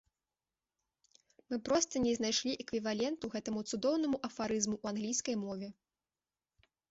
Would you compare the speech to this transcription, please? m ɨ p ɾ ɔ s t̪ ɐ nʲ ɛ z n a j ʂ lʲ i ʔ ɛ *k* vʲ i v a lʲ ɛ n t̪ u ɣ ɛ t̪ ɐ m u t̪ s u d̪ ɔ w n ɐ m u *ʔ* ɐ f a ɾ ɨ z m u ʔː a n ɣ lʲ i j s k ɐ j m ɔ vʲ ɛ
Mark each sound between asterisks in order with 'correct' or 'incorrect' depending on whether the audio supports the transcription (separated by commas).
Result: correct, correct